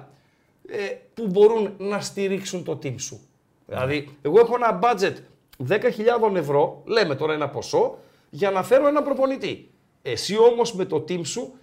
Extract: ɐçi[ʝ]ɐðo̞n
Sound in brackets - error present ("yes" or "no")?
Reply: yes